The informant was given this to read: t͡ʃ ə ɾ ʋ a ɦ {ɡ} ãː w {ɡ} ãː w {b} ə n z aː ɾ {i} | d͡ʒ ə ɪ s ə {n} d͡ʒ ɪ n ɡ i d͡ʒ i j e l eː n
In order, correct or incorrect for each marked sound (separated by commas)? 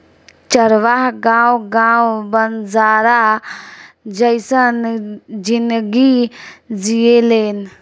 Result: correct, correct, correct, incorrect, correct